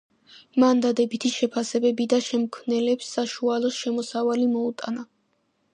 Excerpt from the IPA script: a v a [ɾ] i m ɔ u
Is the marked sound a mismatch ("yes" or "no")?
yes